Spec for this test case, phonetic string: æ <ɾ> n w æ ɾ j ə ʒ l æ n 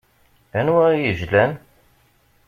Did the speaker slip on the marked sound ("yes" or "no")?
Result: yes